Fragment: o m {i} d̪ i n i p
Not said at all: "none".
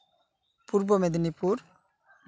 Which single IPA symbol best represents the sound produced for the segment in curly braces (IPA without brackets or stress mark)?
e